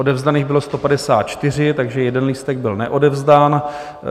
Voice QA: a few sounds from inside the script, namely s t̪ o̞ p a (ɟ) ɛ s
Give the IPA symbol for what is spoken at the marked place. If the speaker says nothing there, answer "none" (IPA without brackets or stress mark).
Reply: d